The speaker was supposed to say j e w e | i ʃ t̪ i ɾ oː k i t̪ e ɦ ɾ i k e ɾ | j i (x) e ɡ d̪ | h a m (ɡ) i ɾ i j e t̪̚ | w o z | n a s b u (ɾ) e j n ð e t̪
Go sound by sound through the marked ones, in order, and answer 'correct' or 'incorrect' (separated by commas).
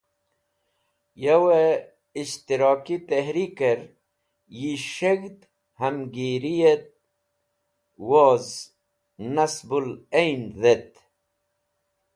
incorrect, correct, incorrect